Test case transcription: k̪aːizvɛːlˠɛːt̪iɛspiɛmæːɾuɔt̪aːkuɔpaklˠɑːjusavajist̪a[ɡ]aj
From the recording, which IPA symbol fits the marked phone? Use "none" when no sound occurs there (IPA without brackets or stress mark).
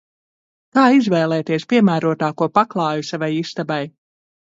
b